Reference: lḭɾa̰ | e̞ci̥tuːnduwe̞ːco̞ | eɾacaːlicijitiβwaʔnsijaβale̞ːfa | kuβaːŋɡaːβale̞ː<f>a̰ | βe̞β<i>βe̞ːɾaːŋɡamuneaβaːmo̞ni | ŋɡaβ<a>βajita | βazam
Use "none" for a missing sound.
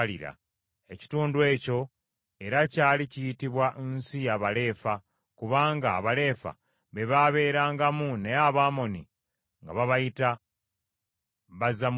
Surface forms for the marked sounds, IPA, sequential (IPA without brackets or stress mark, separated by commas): f, a, a